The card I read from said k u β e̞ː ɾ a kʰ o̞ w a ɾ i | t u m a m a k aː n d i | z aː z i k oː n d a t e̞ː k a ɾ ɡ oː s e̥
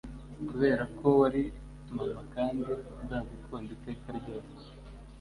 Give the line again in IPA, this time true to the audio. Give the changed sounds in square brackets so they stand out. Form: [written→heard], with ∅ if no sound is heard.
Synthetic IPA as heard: k u β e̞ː ɾ a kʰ o̞ w a ɾ i | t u m a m a k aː n d i | z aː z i k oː n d [a→i] t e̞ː k a ɾ [ɡ→ɟ] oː s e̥